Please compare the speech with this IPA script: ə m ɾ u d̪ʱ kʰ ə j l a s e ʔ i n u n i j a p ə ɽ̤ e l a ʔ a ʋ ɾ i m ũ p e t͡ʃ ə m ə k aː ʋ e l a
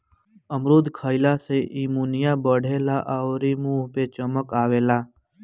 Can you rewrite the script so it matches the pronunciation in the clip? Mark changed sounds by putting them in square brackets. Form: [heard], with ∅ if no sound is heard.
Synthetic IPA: ə m ɾ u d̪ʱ kʰ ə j l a s e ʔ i [m] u n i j a [b] ə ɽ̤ e l a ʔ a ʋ ɾ i m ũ p e t͡ʃ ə m ə k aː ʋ e l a